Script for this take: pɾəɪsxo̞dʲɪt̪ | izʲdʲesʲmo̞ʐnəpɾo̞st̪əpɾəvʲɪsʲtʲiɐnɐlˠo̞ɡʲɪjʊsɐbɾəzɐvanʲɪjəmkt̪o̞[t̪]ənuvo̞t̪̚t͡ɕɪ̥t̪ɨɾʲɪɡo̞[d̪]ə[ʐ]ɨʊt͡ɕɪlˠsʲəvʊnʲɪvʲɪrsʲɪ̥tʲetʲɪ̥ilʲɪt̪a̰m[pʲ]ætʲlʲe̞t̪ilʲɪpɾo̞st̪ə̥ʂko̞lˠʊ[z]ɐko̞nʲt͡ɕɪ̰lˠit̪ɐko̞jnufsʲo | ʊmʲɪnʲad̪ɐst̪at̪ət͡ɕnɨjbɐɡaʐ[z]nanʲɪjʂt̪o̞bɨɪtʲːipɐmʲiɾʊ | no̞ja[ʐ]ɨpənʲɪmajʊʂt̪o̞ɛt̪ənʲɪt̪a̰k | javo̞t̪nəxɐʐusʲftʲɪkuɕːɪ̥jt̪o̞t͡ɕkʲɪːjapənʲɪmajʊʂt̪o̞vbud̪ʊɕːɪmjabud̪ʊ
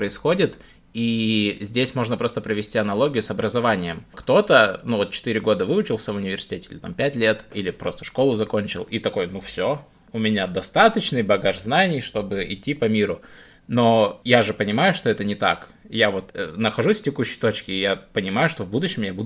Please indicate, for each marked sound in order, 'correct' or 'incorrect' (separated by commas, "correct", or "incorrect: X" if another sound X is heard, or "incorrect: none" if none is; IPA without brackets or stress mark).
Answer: correct, correct, incorrect: v, correct, correct, correct, correct